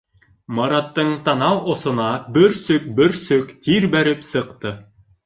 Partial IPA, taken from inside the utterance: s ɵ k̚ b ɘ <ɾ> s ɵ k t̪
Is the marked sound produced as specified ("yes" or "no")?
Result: yes